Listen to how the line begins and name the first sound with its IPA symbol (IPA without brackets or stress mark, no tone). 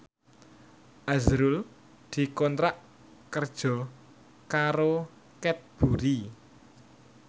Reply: ʔ